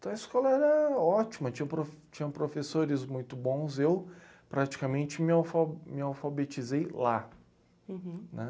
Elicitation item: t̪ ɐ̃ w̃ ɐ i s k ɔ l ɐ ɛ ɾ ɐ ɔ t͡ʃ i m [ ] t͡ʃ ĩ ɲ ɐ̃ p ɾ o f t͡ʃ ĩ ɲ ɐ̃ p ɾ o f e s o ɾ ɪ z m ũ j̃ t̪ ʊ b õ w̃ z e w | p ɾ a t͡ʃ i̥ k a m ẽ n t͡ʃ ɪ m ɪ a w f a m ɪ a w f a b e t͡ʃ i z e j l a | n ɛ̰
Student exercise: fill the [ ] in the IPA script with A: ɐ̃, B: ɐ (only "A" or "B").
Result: B